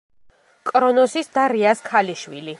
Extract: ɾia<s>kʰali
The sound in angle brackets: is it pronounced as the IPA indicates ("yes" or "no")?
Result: yes